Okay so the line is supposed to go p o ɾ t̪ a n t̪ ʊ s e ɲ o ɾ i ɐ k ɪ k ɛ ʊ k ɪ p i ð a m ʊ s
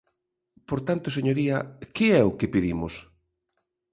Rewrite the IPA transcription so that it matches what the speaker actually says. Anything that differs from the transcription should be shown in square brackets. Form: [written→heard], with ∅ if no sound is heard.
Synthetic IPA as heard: p o ɾ t̪ a n t̪ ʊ s e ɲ o ɾ i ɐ k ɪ [k→∅] ɛ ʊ k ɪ p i ð [a→i] m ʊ s